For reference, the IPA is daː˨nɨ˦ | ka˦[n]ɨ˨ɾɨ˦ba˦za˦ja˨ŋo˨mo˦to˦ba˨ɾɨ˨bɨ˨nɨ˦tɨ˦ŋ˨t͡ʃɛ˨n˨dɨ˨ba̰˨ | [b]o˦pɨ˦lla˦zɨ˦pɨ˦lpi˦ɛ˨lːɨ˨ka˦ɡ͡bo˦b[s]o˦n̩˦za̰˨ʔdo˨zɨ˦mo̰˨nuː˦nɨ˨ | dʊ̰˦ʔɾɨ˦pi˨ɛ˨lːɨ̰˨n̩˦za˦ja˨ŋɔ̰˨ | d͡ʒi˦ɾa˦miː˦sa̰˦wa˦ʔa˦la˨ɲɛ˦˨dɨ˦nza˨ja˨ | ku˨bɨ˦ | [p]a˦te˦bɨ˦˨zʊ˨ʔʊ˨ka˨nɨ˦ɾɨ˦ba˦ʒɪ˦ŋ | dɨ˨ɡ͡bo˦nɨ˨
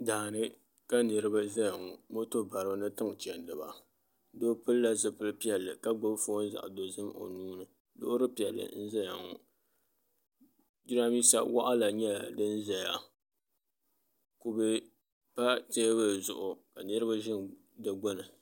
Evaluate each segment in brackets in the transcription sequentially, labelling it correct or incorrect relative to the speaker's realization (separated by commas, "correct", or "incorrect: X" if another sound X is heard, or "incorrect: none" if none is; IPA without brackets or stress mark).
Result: correct, incorrect: d, incorrect: f, correct